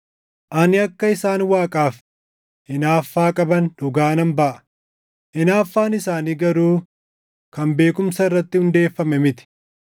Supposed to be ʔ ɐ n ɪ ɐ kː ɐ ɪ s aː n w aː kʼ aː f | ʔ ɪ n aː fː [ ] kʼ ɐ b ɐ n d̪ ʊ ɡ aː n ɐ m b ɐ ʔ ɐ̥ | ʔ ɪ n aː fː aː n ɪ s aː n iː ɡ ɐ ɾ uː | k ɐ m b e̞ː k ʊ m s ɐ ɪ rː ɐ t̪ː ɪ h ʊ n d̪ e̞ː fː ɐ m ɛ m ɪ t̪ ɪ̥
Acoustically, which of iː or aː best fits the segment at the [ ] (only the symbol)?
aː